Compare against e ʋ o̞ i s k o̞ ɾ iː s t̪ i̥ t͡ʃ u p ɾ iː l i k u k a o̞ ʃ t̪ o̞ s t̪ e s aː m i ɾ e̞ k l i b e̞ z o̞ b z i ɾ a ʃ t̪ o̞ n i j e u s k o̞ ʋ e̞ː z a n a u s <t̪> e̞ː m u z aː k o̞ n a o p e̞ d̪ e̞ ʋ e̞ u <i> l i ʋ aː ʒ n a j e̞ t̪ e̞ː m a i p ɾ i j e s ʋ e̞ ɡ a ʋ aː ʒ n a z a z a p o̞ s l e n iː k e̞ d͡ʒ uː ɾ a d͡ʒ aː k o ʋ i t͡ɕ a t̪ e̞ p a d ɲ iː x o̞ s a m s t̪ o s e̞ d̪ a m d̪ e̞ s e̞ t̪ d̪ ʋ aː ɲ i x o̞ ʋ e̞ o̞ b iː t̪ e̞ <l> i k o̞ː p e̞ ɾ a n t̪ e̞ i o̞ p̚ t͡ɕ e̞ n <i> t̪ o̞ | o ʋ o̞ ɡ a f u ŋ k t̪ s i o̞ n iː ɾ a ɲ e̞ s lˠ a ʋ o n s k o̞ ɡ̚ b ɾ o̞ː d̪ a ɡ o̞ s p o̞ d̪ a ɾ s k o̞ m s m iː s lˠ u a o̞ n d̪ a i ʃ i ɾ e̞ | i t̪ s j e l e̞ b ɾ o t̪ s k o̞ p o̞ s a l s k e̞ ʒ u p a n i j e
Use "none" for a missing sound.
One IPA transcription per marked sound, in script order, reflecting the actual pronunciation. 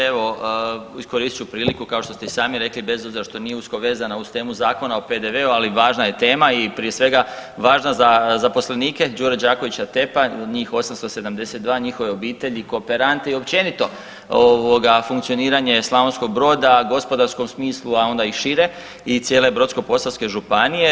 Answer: t̪, a, ʎ, i

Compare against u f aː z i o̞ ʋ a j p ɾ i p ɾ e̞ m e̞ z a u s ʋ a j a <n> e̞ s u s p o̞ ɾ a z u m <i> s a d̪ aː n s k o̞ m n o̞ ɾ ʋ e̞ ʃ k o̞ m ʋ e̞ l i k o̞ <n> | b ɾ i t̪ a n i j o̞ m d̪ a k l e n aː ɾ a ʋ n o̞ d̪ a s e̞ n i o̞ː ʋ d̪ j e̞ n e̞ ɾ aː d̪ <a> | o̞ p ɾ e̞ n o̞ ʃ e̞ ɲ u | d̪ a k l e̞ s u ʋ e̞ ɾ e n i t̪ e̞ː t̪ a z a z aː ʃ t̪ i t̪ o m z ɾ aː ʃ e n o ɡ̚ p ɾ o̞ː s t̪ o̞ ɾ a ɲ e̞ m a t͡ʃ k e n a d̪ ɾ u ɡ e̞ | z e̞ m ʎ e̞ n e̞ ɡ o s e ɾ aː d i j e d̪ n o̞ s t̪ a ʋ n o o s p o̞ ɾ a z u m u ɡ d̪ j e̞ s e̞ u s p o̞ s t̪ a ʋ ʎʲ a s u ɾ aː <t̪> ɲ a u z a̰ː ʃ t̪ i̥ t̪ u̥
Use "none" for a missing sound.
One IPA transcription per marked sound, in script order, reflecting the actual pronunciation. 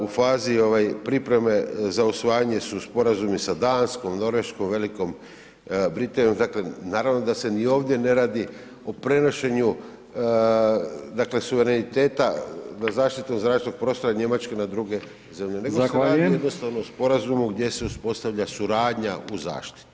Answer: ɲ, i, m, i, d̪

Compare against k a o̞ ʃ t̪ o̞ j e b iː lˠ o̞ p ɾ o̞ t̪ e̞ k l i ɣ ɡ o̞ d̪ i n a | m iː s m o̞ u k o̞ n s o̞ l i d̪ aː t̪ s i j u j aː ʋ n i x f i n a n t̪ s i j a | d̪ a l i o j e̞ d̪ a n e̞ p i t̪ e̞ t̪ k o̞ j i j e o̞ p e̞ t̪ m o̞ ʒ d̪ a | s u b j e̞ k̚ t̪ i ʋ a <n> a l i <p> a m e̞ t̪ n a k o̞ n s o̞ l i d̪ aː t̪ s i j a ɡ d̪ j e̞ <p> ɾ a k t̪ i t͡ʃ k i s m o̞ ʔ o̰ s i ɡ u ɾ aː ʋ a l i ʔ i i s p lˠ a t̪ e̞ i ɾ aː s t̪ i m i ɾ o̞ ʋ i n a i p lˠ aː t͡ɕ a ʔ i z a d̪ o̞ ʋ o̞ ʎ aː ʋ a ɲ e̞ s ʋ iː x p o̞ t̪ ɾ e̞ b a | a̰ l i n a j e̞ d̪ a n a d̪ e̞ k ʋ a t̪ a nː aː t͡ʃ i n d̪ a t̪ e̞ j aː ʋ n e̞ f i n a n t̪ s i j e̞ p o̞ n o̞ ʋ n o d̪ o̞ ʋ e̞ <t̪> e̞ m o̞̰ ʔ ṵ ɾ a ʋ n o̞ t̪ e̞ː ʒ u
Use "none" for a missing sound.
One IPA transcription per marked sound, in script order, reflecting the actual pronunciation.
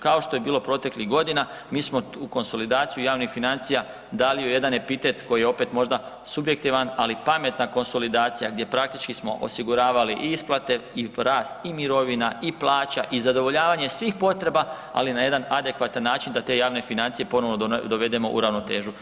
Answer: n, p, p, d̪

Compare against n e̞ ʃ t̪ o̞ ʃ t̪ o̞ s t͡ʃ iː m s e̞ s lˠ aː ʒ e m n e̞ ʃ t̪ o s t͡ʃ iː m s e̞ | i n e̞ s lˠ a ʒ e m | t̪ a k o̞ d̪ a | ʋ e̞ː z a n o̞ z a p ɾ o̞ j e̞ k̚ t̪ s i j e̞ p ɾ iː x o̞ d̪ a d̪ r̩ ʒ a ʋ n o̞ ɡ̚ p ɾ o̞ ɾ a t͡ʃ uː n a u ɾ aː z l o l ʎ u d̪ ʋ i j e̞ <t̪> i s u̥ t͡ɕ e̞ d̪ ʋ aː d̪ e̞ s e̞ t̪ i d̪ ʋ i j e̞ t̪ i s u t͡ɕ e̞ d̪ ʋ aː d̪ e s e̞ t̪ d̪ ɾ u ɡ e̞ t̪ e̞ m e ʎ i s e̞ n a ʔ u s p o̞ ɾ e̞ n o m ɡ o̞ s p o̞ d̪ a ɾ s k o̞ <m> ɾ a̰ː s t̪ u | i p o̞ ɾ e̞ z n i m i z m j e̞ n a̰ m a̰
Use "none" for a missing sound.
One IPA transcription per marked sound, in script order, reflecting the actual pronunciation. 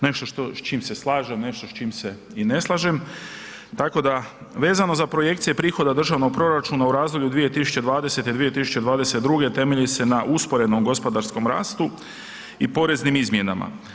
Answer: t̪, m

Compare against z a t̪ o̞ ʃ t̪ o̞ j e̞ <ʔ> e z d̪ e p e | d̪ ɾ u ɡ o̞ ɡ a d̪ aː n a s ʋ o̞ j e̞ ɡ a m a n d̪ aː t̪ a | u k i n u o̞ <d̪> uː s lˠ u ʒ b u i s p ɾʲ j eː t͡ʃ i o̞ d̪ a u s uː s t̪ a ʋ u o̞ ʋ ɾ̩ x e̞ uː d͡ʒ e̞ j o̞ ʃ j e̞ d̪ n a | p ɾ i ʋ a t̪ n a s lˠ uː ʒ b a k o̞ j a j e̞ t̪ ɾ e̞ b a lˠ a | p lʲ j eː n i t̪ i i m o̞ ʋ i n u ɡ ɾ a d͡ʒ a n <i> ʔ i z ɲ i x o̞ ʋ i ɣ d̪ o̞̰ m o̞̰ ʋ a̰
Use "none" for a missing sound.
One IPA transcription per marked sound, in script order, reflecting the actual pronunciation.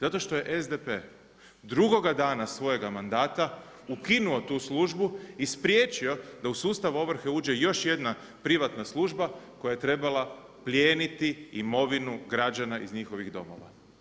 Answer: ʔ, t̪, a

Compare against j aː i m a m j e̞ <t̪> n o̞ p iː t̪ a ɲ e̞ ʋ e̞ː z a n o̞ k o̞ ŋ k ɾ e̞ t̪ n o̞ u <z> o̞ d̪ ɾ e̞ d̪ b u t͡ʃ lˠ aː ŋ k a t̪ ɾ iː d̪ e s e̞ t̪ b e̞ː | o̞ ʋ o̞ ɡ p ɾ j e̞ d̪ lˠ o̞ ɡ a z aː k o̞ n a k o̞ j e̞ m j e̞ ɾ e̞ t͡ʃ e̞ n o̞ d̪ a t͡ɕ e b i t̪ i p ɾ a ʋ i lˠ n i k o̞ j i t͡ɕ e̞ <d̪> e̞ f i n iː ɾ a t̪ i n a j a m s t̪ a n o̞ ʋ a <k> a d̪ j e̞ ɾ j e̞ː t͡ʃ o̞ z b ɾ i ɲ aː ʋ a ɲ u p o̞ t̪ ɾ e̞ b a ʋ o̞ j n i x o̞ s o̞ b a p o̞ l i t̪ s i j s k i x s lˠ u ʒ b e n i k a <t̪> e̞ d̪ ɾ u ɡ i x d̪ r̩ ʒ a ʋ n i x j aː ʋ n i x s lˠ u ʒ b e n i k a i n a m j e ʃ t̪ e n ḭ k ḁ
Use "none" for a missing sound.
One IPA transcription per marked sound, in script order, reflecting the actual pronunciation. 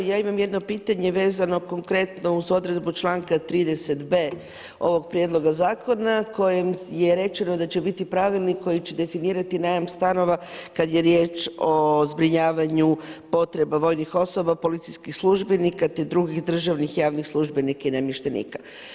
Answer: d̪, z, d̪, k, t̪

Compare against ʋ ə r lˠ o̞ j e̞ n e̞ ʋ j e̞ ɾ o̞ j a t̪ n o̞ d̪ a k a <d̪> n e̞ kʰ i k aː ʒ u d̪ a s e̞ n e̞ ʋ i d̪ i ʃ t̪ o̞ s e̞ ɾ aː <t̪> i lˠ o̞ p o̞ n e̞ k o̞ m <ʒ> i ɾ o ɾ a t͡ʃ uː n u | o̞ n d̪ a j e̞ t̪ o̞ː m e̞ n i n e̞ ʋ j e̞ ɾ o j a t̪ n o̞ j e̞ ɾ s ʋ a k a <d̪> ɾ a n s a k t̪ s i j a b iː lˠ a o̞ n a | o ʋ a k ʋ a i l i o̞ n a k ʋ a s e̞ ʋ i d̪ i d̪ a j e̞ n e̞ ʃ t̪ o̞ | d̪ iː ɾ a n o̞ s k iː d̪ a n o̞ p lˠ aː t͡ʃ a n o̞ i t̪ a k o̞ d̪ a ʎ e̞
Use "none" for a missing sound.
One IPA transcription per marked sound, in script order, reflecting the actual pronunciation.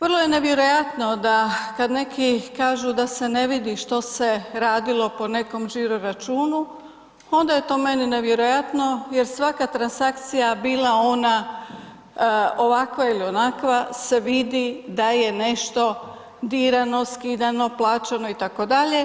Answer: d̪, d̪, ʒ, t̪

